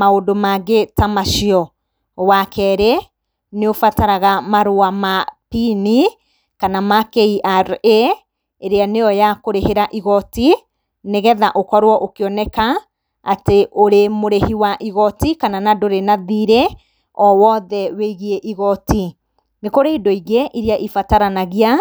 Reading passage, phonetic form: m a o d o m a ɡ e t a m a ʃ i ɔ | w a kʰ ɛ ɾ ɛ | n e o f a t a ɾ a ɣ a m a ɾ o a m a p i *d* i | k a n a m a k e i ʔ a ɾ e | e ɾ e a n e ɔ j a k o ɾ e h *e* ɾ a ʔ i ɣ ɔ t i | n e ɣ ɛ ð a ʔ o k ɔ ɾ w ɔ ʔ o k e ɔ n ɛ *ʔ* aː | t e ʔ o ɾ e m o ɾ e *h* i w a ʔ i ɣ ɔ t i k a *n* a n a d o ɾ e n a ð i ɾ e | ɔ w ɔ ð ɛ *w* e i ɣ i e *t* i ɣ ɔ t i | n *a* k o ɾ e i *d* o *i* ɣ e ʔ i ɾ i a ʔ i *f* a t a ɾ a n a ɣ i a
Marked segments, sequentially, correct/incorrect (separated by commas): incorrect, correct, incorrect, correct, correct, correct, incorrect, incorrect, correct, correct, correct